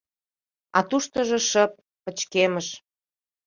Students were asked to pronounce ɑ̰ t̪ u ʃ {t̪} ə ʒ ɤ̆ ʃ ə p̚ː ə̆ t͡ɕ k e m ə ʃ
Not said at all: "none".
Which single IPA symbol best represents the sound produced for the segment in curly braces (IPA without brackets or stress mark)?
t̪